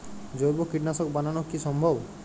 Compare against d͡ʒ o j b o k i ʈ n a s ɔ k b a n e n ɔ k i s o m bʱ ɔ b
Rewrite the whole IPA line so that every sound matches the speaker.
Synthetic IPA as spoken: d͡ʒ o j b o k i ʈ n a s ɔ k b a n a n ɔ k i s ɔ m bʱ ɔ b

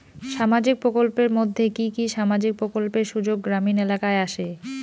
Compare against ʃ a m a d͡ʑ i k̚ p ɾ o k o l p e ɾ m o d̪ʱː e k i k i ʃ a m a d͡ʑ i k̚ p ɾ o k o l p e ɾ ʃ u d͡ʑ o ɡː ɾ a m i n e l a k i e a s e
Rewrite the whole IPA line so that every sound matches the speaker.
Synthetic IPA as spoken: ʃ a m a d͡ʑ i k̚ p ɾ o k o l p e ɾ m o d̪ʱː e k i k i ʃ a m a d͡ʑ i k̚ p ɾ o k o l p e ɾ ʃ u d͡ʑ o ɡː ɾ a m i n e l a k a e a ʃ e

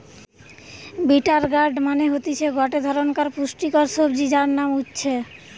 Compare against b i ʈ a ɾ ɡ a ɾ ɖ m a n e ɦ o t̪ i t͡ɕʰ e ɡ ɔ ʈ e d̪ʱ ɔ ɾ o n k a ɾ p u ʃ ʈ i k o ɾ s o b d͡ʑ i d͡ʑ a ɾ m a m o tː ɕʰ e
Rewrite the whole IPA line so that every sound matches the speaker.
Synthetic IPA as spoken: b i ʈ a ɾ ɡ a ɾ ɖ m a n e ɦ o t̪ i t͡ɕʰ e ɡ ɔ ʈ e d̪ʱ ɔ ɾ o n k a ɾ p u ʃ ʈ i k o ɾ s o b d͡ʑ i d͡ʑ a ɾ n a m u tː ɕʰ e

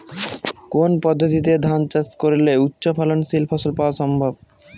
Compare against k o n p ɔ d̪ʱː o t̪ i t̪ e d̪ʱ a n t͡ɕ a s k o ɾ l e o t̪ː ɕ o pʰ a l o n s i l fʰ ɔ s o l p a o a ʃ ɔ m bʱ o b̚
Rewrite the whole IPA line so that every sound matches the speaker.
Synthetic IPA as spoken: k o n p ɔ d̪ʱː o t̪ i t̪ e d̪ʱ a n t͡ɕ a s k o ɾ l e u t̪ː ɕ o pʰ a l o n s i l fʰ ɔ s o l p a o a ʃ ɔ m bʱ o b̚

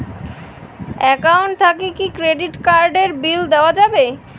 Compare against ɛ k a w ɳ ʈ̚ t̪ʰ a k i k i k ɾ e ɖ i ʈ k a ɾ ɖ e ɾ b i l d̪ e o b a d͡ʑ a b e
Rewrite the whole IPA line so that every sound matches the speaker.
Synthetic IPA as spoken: ɛ k a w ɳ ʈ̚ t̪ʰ a k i k i k ɾ e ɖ i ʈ k a ɾ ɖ e ɾ b i l d̪ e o a d͡ʑ a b e

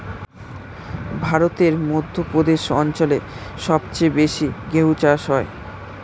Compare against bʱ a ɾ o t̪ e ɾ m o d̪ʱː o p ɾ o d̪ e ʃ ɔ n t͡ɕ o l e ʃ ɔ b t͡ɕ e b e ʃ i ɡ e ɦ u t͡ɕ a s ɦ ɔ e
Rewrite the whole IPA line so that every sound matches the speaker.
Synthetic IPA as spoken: bʱ a ɾ o t̪ e ɾ m o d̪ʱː o p ɾ o d̪ e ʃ ɔ n t͡ɕ o l e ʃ ɔ b t͡ɕ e b e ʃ i ɡ e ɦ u t͡ɕ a ʃ ɦ ɔ e

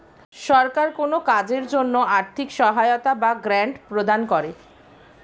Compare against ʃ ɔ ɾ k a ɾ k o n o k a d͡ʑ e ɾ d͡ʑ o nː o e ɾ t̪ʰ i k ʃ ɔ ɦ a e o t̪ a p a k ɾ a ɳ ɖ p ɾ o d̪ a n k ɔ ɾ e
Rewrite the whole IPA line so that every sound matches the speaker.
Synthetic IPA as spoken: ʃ ɔ ɾ k a ɾ k o n o k a d͡ʑ e ɾ d͡ʑ o nː o a ɾ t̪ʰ i k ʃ ɔ ɦ a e o t̪ a b a ɡ ɾ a ɳ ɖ p ɾ o d̪ a n k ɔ ɾ e

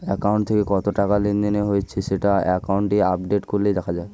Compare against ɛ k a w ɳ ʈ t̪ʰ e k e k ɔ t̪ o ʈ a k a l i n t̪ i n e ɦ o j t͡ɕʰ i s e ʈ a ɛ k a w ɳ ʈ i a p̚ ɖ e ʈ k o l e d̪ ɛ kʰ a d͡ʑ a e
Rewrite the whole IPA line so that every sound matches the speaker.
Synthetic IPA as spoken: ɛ k a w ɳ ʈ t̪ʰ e k e k ɔ t̪ o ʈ a k a l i n d̪ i n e ɦ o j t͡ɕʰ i s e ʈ a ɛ k a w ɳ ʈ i a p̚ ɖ e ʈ k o l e d̪ ɛ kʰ a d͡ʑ a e

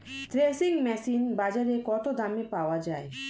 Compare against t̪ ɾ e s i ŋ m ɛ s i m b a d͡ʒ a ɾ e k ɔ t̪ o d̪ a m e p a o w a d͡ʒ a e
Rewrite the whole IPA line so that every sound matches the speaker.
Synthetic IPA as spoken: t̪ ɾ e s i ŋ m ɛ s i n b a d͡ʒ a ɾ e k ɔ t̪ o d̪ a m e p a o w a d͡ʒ a e

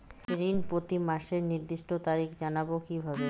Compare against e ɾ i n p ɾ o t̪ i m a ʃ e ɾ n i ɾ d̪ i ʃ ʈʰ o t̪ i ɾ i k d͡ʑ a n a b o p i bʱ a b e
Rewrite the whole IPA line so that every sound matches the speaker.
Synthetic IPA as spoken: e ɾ i n p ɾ o t̪ i m a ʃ e ɾ n i ɾ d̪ i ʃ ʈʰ o t̪ a ɾ i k d͡ʑ a n a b o k i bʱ a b e

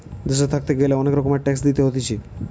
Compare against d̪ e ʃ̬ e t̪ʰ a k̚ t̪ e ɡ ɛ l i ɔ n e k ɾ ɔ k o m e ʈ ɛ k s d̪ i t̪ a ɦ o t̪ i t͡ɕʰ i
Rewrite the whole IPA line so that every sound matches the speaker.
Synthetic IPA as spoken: d̪ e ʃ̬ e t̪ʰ a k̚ t̪ e ɡ e l e ɔ n e k ɾ ɔ k o m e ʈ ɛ k s d̪ i t̪ e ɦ o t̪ i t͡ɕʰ i

